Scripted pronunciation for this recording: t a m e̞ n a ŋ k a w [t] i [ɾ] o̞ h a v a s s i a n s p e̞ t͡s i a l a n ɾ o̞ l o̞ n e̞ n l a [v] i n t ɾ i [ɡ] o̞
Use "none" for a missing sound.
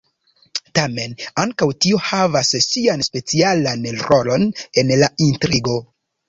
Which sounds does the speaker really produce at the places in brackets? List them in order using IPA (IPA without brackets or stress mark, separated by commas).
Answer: t, none, none, ɡ